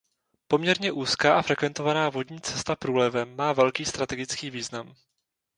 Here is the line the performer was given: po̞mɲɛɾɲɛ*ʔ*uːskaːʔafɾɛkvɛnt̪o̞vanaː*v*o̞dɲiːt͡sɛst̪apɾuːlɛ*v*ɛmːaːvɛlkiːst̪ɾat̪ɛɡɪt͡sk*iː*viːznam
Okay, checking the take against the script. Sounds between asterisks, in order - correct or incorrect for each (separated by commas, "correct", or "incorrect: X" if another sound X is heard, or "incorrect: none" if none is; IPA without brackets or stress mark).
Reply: correct, correct, correct, correct